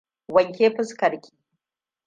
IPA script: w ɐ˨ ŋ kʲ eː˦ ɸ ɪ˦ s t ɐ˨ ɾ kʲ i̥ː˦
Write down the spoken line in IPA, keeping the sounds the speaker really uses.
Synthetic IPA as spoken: w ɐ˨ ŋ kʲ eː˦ ɸ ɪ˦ s k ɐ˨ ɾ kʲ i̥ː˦